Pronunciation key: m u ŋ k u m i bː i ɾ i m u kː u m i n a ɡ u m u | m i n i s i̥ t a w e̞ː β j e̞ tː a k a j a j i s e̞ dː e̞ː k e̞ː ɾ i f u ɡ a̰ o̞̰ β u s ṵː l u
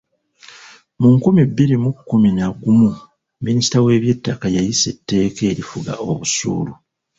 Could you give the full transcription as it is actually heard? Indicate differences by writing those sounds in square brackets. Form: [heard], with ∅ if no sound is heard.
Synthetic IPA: m u ŋ k u m i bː i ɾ i m u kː u m i n a ɡ u m u | m i n i s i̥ t a w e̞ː β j e̞ tː a k a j a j i s e̞ [tː] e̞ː k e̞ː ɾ i f u ɡ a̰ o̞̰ β u s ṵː l u